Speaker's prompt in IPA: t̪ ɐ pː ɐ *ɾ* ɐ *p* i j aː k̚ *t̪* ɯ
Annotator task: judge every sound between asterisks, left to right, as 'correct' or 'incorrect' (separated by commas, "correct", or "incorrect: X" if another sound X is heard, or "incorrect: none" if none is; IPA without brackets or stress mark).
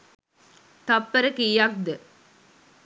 correct, incorrect: k, incorrect: d̪